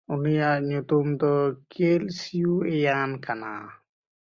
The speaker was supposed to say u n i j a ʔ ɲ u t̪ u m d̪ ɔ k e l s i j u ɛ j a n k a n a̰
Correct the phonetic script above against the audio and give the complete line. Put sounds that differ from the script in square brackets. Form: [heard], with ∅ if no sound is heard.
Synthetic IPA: u n i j a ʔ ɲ u t̪ u m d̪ ɔ k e l s i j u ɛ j a n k a n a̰